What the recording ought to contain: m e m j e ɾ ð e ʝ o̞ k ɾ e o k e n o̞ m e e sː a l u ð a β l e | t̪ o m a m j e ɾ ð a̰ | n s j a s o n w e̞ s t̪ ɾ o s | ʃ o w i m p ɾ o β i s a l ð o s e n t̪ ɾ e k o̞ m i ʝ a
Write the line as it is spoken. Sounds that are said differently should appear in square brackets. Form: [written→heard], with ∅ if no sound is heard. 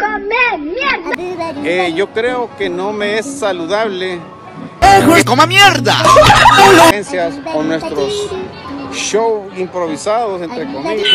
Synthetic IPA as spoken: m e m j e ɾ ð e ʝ o̞ k ɾ e o k e n o̞ m e e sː a l u ð a β l e | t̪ o m a m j e ɾ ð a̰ | n s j a s o n w e̞ s t̪ ɾ o s | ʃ o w i m p ɾ o β i s a [l→∅] ð o s e n t̪ ɾ e k o̞ m i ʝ a